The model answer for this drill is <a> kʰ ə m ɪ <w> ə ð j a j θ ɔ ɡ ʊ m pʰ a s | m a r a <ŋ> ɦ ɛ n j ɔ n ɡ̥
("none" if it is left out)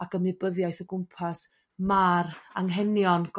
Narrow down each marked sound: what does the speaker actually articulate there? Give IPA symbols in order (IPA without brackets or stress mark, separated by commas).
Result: a, b, ŋ